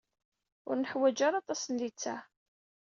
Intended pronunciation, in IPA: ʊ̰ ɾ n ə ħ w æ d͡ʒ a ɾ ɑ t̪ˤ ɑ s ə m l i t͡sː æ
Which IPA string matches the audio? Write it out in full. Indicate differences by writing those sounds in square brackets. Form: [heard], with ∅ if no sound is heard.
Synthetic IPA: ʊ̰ ɾ n ə ħ w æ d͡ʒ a ɾ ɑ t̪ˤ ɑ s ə [n] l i t͡sː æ